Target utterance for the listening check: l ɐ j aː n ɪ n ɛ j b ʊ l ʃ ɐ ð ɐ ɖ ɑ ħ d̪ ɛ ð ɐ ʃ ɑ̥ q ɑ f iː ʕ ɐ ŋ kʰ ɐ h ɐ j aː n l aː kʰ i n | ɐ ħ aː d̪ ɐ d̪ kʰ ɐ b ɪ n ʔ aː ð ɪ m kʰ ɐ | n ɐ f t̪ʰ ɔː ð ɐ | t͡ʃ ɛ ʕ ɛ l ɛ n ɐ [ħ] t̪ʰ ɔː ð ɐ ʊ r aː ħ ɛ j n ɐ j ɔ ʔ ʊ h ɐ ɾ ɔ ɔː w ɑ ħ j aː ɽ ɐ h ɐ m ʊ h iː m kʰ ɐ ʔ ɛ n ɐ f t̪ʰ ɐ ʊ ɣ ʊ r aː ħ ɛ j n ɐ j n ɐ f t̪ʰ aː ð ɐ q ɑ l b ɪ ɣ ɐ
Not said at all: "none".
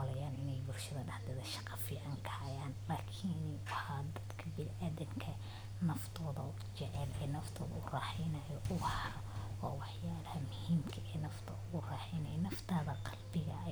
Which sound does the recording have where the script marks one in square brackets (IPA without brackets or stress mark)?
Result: f